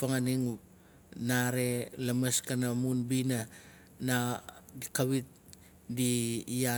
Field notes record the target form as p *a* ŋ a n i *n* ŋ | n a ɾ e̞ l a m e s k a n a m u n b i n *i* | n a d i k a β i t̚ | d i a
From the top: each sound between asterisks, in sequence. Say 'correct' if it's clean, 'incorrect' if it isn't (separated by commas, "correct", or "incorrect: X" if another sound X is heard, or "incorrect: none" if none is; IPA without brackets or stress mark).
correct, incorrect: none, incorrect: a